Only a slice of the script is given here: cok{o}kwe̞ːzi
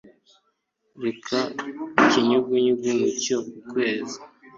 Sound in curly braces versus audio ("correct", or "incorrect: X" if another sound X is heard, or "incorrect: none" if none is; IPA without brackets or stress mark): incorrect: u